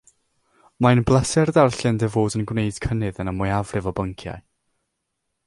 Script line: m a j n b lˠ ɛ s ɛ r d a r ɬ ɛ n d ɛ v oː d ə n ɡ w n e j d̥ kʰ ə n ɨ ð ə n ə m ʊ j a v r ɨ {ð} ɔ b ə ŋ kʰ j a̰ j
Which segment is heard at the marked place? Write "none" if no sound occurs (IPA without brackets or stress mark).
v